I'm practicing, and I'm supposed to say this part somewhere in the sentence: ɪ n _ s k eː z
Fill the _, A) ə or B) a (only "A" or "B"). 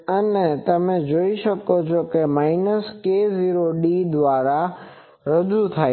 A